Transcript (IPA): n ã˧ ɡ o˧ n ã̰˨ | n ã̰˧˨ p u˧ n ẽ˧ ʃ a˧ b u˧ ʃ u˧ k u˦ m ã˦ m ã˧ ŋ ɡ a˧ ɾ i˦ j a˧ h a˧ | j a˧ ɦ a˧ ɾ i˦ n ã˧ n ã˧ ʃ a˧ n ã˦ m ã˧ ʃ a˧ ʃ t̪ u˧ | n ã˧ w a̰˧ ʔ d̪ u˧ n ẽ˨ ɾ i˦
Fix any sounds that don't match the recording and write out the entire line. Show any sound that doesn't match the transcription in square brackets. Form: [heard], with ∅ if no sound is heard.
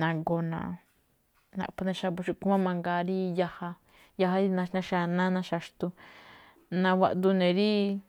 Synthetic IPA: n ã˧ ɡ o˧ n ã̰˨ | n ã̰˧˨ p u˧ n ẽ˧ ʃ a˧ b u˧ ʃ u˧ k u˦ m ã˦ m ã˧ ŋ ɡ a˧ ɾ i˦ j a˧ h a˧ | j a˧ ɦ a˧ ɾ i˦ n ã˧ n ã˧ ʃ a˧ n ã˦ [n] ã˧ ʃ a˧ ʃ t̪ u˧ | n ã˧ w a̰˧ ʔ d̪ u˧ n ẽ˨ ɾ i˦